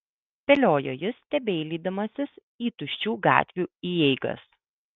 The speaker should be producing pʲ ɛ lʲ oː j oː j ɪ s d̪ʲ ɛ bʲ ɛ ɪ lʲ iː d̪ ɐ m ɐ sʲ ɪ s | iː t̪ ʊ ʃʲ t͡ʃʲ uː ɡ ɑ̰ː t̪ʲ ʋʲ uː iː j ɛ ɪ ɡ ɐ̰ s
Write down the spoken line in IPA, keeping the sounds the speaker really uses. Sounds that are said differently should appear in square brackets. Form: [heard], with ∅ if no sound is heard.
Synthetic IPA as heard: pʲ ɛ lʲ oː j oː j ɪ s [t̪ʲ] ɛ bʲ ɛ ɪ lʲ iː d̪ ɐ m ɐ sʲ ɪ s | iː t̪ ʊ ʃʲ t͡ʃʲ uː ɡ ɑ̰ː t̪ʲ ʋʲ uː iː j ɛ ɪ ɡ ɐ̰ s